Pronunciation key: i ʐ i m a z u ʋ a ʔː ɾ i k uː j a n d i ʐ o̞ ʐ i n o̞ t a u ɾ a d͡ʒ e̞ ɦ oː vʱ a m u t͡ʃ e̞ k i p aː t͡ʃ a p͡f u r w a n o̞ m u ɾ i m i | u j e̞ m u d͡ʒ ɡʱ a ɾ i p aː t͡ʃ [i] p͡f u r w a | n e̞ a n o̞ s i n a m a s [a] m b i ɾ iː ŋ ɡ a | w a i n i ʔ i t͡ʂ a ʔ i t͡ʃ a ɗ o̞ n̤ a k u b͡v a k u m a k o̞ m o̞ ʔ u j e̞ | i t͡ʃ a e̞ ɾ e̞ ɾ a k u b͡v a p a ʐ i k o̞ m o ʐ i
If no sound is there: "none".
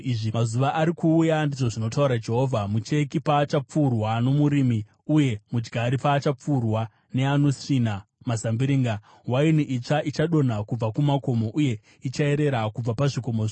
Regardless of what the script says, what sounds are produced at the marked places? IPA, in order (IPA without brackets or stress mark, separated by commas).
a, a